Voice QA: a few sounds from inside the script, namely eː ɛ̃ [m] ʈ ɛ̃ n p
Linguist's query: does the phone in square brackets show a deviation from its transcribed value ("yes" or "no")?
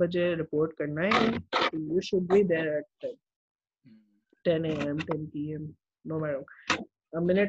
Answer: no